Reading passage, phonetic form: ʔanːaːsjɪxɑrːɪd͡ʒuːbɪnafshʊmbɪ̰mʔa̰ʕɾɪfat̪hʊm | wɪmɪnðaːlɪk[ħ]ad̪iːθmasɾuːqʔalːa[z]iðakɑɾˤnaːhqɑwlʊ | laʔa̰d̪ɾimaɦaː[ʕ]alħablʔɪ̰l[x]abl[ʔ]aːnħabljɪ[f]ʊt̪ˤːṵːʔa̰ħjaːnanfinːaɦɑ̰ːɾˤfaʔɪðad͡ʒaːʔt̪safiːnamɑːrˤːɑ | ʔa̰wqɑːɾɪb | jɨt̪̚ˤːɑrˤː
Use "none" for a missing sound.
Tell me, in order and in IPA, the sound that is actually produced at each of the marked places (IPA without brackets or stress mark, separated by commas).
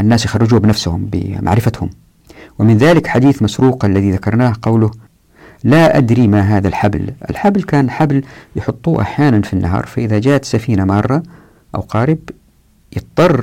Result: ħ, ð, ð, ħ, k, ħ